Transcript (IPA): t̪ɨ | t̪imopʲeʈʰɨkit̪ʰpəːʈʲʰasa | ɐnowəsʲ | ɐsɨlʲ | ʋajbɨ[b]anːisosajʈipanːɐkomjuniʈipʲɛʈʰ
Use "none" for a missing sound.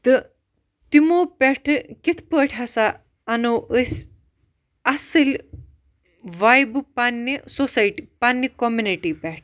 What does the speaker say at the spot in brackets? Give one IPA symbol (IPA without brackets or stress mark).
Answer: p